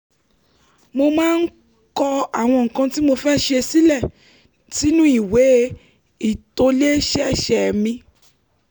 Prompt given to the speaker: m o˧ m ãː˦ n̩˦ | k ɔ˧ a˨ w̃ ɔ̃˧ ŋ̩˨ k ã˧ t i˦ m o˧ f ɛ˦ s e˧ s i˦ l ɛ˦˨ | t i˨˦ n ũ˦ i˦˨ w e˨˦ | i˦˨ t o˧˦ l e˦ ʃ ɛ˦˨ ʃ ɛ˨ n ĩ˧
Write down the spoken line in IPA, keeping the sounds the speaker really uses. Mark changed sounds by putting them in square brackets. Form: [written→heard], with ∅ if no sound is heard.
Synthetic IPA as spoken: m o˧ m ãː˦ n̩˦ | k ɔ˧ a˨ w̃ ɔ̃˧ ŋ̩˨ k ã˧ t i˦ m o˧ f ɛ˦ [s→ʃ] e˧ s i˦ l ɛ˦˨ | t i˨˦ n ũ˦ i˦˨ w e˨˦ | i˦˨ t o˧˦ l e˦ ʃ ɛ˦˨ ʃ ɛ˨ [n→m] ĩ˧

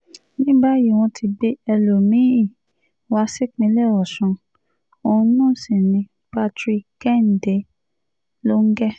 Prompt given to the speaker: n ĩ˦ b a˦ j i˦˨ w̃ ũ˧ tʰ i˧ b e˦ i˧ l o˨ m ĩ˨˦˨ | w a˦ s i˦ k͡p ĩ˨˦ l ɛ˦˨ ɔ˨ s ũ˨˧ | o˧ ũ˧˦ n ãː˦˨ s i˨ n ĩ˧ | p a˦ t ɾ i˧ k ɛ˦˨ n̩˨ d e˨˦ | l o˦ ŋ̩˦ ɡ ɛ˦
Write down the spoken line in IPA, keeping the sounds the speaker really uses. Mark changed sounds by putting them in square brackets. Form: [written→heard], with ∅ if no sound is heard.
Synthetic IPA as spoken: n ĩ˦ b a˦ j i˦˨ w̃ [ũ˧→ɔ̃˧] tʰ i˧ b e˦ [i˧→ɛ˧] l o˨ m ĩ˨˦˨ | w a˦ s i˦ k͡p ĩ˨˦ l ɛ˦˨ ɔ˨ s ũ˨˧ | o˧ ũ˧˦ n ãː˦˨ s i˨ n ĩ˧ | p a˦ t ɾ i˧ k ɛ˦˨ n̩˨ d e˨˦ | l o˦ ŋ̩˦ ɡ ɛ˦

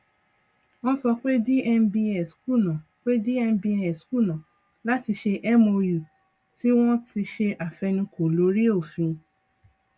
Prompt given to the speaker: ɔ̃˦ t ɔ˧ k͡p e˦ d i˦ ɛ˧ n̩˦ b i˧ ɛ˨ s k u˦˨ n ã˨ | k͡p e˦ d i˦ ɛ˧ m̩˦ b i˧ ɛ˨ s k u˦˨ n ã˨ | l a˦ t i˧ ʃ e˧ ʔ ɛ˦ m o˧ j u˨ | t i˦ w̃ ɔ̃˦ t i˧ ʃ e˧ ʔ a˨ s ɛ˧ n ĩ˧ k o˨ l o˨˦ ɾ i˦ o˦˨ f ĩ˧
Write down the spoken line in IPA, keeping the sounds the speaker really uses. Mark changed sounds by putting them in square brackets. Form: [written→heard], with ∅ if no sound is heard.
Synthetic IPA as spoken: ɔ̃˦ [t→s] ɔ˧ k͡p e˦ d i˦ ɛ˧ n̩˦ b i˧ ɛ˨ s k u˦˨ n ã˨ | k͡p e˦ d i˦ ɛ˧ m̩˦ b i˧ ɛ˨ s k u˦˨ n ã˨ | l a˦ t i˧ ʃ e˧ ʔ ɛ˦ m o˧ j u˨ | t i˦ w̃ ɔ̃˦ t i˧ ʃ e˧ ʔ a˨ [s→f] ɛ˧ n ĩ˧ k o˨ l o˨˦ ɾ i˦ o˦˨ f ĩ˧

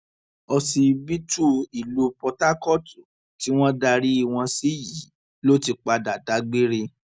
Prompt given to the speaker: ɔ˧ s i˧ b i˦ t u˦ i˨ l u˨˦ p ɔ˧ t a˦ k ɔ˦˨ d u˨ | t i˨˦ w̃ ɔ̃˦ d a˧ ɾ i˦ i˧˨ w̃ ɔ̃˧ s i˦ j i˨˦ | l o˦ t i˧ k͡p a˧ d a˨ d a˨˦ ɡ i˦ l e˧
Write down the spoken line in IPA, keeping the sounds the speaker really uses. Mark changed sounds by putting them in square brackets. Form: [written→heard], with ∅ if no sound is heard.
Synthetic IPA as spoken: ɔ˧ s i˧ b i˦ t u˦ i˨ l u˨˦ p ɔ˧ t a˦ k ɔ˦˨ [d→t] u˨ | t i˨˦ w̃ ɔ̃˦ d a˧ ɾ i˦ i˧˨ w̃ ɔ̃˧ s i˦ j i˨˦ | l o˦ t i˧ k͡p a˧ d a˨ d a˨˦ [ɡ→ɡ͡b] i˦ [l→ɾ] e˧

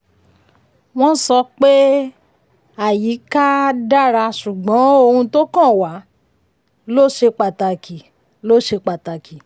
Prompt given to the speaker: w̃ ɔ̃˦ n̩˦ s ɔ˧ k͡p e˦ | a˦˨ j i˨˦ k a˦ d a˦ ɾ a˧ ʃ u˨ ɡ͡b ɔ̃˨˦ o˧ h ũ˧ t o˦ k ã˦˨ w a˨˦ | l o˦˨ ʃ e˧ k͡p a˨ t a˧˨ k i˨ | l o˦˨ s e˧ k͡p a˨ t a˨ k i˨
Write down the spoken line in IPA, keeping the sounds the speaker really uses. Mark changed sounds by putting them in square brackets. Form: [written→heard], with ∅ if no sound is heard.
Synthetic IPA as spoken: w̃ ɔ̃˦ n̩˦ s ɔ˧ k͡p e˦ | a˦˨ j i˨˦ k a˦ d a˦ ɾ a˧ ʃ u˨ ɡ͡b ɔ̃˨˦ o˧ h ũ˧ t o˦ k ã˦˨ w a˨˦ | l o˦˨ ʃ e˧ k͡p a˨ t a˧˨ k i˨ | l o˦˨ [s→ʃ] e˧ k͡p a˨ t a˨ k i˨

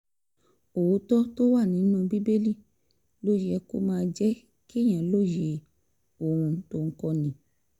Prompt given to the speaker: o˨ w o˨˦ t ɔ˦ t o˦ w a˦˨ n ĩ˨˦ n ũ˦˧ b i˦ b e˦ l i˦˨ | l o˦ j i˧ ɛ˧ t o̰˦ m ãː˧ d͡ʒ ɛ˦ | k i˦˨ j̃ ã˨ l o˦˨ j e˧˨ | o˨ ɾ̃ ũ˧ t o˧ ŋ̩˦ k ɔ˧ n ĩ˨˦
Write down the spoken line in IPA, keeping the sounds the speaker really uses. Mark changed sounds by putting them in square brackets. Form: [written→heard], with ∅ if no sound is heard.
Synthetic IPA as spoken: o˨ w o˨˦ t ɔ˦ t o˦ w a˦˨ n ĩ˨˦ n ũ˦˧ b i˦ b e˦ l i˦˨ | l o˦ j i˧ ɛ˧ [t→k] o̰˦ m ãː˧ d͡ʒ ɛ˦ | k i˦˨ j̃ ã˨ l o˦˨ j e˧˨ | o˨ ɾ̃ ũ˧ t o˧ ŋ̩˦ k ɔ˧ n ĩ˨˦

